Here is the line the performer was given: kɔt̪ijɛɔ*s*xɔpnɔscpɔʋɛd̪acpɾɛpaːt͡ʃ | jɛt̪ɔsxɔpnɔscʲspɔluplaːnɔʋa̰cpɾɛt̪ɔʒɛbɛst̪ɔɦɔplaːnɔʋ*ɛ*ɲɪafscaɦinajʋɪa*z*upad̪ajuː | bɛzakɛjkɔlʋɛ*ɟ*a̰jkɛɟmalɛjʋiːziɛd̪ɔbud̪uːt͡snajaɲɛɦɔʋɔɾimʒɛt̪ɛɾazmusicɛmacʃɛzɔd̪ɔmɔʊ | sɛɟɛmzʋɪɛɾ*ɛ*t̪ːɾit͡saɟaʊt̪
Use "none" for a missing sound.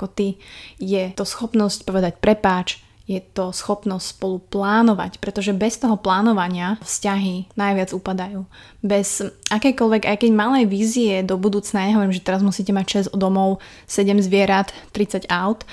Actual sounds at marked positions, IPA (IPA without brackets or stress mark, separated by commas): s, a, d͡z, ɡ, a